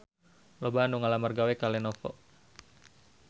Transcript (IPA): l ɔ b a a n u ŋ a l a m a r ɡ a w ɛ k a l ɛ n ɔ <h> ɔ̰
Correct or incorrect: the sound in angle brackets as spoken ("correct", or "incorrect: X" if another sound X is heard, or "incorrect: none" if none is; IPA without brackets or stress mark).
incorrect: f